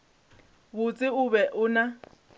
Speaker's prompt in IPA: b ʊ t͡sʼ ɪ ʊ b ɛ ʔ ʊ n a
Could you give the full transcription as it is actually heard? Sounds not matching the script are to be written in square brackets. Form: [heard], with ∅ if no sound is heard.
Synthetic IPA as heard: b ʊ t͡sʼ ɪ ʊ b ɛ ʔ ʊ n a